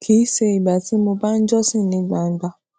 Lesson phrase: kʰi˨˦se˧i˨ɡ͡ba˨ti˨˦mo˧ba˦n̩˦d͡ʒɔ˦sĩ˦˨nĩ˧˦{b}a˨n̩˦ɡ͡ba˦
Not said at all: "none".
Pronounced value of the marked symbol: ɡ͡b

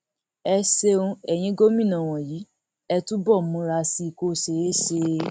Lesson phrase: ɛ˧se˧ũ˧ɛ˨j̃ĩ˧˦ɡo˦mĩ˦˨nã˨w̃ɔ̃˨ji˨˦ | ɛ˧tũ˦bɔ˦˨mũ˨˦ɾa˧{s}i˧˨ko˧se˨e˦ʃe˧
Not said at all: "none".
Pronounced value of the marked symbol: s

